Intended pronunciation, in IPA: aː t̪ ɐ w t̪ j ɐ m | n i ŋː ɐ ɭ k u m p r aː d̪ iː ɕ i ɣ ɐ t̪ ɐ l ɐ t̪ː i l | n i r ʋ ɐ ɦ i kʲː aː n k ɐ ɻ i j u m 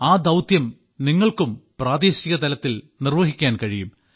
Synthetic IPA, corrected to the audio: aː d̪ ɐ w t̪ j ɐ m | n i ŋː ɐ ɭ k u m p r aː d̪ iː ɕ i ɣ ɐ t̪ ɐ l ɐ t̪ː i l | n i r ʋ ɐ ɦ i kʲː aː n k ɐ ɻ i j u m